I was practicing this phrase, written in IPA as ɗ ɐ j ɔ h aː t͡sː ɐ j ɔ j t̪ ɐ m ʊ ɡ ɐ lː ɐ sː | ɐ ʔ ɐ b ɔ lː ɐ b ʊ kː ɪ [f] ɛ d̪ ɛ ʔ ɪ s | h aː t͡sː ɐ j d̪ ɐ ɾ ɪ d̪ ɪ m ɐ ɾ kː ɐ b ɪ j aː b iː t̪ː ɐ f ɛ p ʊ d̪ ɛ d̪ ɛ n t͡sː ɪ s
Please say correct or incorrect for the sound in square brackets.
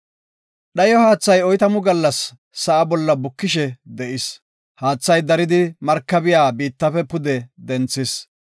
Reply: incorrect: ʃ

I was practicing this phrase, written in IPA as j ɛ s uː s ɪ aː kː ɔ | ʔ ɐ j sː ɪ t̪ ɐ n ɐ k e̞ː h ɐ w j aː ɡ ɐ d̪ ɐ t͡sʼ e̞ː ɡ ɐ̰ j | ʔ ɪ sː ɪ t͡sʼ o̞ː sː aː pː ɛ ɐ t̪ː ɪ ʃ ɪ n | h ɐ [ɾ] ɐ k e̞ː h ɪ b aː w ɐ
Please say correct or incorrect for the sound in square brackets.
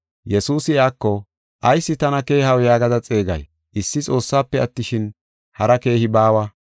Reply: correct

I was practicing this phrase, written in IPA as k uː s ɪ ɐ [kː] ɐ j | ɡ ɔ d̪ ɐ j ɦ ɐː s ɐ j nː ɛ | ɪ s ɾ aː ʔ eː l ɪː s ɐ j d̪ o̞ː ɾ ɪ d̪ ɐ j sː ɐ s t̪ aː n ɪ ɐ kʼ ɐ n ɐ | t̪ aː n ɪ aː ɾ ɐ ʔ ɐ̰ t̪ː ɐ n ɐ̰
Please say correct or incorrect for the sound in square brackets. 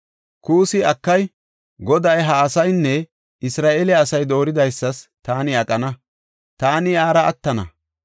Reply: correct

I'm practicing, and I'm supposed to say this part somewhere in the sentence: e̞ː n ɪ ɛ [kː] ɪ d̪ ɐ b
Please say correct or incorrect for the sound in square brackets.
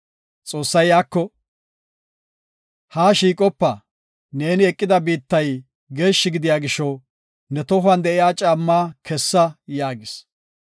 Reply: incorrect: kʼː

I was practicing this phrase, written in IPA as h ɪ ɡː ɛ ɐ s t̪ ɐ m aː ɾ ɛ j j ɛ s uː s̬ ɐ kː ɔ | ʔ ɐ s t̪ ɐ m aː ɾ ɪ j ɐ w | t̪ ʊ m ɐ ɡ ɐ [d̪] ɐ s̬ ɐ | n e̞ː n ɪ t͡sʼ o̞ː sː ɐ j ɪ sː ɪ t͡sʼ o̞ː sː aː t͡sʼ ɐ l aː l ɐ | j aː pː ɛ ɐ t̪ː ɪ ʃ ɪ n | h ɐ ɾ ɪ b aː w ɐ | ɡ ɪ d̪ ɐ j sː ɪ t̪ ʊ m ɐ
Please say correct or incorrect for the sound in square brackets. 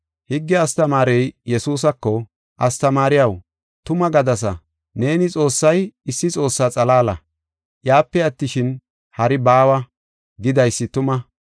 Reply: correct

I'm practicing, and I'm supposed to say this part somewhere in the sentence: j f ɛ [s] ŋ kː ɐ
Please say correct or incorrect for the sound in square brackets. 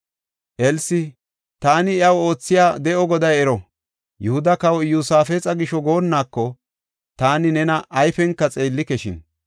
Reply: incorrect: none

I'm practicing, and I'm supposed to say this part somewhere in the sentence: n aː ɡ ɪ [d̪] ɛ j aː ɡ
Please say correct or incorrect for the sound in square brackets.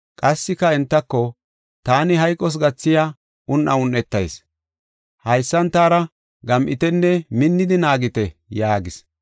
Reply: incorrect: t̪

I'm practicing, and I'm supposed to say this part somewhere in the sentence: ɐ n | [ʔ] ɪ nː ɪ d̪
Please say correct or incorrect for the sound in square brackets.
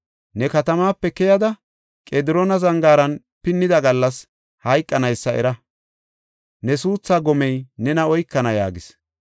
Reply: incorrect: p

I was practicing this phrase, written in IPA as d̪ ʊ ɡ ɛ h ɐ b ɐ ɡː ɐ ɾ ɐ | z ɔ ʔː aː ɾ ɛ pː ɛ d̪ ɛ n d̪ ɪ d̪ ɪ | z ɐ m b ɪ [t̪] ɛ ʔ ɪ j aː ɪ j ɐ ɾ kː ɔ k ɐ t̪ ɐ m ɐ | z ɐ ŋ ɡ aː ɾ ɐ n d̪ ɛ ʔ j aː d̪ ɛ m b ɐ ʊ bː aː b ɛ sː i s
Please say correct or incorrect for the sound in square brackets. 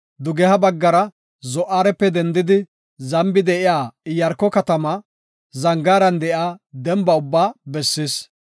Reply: incorrect: d̪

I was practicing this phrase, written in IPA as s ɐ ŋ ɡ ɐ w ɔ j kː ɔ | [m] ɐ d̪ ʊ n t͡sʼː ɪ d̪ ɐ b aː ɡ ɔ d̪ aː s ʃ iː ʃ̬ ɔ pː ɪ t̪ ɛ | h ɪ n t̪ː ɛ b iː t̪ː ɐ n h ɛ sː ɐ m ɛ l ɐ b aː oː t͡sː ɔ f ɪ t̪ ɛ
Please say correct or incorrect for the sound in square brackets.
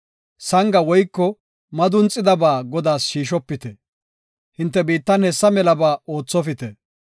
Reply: correct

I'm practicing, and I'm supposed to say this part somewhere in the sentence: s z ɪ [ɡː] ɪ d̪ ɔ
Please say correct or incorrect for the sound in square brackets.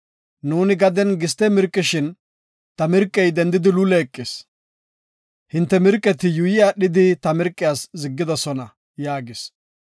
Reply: correct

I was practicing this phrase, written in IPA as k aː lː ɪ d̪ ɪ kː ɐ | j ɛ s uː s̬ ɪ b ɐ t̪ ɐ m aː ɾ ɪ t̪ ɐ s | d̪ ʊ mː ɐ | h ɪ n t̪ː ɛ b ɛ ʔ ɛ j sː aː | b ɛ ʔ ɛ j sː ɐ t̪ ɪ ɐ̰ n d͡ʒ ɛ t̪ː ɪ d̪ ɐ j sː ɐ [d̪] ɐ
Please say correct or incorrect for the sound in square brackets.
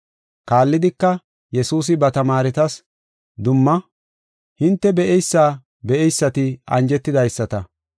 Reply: incorrect: t̪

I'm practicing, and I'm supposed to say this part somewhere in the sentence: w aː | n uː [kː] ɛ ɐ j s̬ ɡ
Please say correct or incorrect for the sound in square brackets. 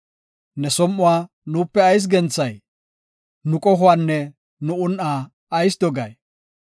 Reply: incorrect: pː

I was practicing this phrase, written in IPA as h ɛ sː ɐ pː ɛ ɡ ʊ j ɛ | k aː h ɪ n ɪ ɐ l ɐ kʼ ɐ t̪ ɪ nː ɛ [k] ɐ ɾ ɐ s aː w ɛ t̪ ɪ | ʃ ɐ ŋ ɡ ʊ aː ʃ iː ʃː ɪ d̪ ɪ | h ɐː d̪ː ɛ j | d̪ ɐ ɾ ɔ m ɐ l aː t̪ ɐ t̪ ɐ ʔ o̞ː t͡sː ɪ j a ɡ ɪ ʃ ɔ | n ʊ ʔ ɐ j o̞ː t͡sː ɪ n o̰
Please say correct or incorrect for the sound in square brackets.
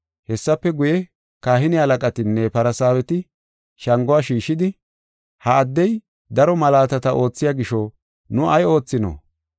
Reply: incorrect: p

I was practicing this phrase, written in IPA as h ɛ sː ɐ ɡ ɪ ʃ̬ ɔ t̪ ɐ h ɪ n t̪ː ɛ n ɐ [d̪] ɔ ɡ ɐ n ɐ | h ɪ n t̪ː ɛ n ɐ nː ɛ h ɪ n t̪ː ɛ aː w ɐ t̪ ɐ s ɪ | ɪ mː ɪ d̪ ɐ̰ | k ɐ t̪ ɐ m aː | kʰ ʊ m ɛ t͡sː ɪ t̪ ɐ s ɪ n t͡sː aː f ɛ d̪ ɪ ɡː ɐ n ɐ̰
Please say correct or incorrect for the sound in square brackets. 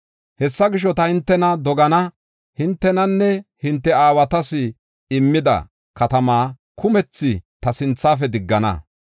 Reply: correct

